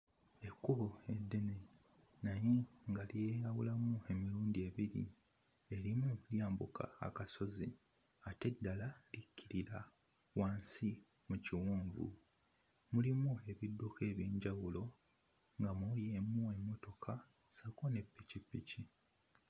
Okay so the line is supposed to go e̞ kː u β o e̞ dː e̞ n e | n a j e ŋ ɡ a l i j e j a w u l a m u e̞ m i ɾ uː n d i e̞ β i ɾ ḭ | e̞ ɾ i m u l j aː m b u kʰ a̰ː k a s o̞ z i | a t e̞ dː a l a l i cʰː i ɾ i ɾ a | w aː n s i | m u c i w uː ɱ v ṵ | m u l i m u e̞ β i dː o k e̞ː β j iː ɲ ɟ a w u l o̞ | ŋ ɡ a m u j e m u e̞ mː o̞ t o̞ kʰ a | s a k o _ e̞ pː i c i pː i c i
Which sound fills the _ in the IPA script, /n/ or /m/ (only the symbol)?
n